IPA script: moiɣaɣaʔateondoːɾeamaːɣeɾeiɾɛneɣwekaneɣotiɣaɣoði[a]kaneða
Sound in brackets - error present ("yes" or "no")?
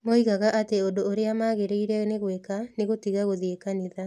yes